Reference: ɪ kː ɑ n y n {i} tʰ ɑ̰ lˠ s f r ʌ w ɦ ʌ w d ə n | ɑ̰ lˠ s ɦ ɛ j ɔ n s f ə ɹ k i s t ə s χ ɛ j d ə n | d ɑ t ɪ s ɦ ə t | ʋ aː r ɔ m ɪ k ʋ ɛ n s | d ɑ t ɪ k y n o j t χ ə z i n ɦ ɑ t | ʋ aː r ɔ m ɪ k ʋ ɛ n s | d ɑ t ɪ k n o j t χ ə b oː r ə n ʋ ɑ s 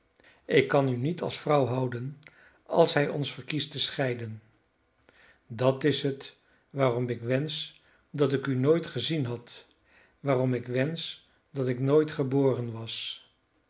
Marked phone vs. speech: correct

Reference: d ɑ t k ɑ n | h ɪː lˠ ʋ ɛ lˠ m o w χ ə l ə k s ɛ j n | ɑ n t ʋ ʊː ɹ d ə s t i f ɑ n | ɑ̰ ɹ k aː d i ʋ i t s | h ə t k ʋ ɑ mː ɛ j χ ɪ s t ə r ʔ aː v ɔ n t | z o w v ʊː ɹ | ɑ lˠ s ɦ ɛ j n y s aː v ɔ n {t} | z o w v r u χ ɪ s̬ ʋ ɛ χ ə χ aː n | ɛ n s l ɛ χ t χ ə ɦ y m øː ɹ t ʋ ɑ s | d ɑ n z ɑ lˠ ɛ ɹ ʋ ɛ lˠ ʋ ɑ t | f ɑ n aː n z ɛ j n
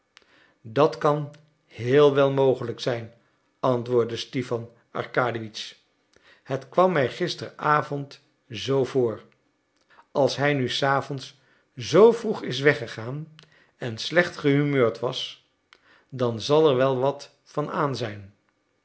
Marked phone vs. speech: incorrect: s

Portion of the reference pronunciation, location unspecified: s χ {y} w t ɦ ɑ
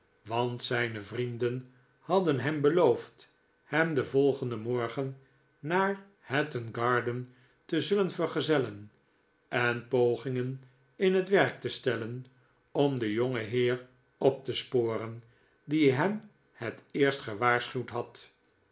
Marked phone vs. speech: correct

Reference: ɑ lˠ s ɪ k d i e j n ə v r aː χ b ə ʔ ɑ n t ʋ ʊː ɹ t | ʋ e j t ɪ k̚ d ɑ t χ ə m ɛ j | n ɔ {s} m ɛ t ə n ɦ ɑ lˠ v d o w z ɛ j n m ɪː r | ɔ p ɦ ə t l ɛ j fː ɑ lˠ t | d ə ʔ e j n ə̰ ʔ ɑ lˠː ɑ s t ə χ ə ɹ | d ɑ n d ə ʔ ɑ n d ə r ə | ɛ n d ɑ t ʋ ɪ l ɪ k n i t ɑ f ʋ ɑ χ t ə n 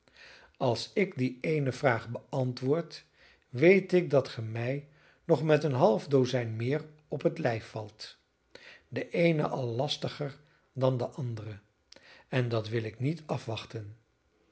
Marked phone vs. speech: incorrect: χ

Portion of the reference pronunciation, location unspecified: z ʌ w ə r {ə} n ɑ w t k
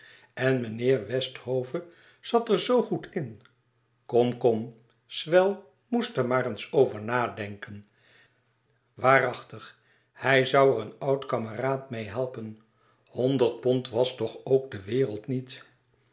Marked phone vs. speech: correct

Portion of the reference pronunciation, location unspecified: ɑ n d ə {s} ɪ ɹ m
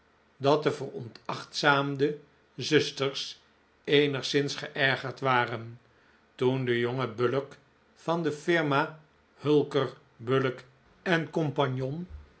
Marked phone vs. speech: incorrect: f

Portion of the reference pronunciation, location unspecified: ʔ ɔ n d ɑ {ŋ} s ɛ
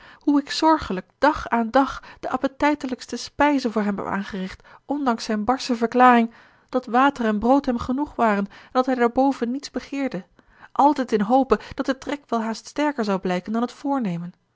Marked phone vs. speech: correct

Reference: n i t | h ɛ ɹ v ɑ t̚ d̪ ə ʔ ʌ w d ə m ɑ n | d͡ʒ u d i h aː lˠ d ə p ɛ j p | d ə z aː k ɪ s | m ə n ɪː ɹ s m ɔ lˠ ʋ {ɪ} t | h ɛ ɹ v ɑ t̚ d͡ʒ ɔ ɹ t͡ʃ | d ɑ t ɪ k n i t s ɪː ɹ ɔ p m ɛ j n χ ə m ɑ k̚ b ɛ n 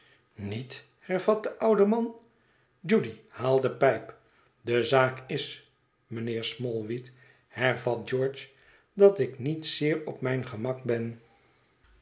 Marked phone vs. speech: incorrect: i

